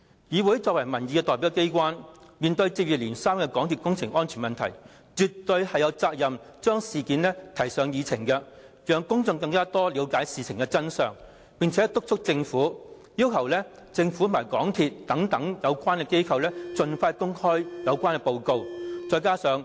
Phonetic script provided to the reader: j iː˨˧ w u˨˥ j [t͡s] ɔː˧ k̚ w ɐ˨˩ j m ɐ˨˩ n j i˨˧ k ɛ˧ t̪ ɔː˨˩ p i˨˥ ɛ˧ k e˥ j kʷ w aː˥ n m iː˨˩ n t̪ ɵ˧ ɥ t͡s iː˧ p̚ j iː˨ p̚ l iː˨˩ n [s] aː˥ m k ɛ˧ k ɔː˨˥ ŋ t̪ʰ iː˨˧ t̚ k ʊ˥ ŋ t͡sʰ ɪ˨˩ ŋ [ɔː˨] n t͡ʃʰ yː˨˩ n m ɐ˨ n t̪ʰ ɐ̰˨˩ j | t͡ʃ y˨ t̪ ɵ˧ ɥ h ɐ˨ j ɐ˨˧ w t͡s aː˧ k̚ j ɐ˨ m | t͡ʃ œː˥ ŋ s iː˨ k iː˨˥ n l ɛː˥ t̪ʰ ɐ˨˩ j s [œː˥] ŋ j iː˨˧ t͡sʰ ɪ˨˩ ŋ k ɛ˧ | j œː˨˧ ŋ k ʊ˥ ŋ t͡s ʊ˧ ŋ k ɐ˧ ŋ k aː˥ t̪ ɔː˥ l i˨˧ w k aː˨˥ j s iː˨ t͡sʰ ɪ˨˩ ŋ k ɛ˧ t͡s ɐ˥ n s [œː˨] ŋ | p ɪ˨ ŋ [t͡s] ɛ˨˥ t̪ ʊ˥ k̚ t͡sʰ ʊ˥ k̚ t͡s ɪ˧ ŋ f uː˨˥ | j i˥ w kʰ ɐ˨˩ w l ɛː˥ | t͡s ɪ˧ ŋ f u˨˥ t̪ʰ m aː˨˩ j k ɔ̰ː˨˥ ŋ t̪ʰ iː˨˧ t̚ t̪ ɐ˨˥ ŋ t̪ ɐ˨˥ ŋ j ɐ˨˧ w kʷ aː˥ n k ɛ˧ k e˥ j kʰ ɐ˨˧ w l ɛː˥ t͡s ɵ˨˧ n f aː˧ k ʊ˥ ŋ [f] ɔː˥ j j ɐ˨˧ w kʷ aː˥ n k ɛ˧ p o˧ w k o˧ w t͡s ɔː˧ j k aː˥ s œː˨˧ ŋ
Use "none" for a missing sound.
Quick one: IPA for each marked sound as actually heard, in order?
t͡s, s, ɔː˥, œː˨˧, œː˨, t͡sʰ, h

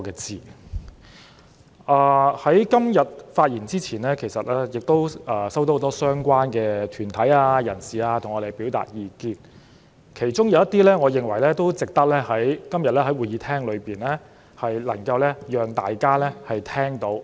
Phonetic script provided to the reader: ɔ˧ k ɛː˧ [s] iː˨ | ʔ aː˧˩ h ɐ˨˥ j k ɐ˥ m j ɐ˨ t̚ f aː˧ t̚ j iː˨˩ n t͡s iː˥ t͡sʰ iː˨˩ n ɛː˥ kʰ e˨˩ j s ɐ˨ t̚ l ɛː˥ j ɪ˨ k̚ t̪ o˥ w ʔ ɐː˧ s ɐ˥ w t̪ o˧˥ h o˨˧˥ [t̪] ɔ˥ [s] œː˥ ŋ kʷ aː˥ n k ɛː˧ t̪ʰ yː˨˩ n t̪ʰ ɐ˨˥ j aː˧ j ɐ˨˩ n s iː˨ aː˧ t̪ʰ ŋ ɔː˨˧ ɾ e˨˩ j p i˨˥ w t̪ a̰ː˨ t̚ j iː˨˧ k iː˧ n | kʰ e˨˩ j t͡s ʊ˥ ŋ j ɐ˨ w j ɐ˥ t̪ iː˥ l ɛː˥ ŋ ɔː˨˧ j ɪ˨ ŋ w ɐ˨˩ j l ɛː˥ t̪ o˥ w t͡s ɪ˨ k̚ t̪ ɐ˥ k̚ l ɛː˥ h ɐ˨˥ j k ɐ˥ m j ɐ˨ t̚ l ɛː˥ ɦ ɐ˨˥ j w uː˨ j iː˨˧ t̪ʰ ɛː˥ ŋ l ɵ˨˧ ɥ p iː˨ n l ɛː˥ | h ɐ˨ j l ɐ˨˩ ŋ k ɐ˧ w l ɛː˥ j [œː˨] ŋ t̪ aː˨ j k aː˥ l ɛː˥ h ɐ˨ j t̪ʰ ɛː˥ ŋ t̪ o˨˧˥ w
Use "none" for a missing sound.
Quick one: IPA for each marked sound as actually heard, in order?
t͡s, t̪, s, œː˨

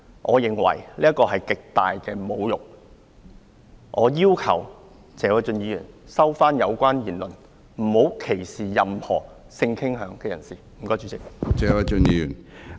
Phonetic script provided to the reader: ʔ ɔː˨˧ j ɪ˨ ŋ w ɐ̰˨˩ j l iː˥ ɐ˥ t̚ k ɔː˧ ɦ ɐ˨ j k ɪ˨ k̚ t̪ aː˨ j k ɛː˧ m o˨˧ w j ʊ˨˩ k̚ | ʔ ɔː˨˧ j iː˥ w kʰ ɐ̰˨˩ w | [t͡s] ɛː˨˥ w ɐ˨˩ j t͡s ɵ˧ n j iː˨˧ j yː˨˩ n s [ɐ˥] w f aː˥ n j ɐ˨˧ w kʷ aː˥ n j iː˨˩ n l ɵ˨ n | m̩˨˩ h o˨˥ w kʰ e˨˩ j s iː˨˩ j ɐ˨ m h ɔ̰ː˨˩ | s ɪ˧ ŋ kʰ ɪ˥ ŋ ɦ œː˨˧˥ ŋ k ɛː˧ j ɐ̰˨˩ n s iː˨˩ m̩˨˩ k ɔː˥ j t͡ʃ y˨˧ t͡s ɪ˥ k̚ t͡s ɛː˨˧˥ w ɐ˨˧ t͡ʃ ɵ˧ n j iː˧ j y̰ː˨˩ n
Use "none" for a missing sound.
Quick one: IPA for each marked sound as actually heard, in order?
t͡s, ɐ˥

